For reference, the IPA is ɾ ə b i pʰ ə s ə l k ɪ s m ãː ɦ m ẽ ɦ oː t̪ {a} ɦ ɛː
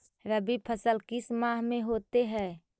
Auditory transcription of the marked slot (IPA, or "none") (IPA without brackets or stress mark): e